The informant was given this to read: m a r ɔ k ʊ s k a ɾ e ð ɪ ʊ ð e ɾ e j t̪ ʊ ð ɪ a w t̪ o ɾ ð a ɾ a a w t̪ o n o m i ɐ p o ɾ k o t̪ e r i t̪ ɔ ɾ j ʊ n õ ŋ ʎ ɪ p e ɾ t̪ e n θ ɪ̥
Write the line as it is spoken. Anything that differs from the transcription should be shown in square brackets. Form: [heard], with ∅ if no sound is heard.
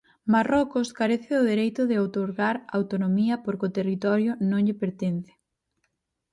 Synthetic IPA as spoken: m a r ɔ k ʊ s k a ɾ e [θ] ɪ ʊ ð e ɾ e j t̪ ʊ ð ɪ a w t̪ o ɾ [ɣ] a ɾ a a w t̪ o n o m i ɐ p o ɾ k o t̪ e r i t̪ ɔ ɾ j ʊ n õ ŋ ʎ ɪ p e ɾ t̪ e n θ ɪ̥